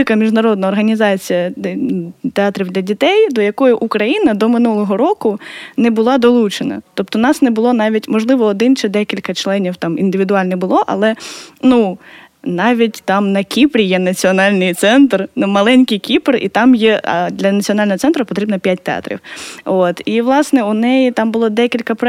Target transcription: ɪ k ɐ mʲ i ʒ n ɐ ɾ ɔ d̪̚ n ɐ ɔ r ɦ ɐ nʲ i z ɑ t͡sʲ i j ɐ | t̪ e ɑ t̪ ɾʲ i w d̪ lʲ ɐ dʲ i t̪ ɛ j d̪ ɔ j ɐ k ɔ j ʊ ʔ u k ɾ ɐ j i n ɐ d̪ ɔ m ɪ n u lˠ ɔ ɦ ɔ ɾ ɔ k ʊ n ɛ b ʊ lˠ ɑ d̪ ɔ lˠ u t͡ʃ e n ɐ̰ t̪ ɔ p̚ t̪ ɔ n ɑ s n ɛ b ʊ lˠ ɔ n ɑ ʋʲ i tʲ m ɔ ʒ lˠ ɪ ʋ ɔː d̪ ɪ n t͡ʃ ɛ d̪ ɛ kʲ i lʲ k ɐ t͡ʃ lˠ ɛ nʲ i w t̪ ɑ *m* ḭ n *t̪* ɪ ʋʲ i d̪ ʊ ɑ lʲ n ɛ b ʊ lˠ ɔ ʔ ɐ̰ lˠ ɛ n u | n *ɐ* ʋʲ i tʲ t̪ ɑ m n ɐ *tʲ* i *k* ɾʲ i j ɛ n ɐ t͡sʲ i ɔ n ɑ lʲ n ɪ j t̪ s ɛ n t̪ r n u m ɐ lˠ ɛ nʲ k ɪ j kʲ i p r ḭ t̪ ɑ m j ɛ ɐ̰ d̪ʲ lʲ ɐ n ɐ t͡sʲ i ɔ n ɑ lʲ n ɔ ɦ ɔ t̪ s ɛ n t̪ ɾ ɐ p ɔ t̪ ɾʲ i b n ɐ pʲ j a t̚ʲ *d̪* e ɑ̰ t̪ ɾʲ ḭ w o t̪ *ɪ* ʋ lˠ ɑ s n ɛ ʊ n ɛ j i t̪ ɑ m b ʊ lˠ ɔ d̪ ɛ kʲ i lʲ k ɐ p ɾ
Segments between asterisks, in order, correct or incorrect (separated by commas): correct, incorrect, incorrect, incorrect, incorrect, incorrect, incorrect